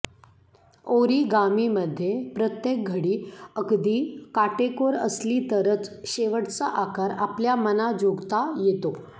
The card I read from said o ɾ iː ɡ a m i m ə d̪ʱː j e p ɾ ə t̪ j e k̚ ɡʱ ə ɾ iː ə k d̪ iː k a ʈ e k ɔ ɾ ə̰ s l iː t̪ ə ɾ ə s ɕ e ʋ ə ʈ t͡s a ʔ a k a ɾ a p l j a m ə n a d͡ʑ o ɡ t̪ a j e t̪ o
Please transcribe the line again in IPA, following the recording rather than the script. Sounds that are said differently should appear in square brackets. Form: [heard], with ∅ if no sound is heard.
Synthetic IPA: o ɾ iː ɡ a m i m ə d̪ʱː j e p ɾ ə t̪ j e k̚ ɡʱ ə [ɽ] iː ə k d̪ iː k a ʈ e k [o] ɾ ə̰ s l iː t̪ ə ɾ ə [t͡s] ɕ e ʋ ə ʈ t͡s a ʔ a k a ɾ a p l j a m ə n a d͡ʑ o ɡ t̪ a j e t̪ o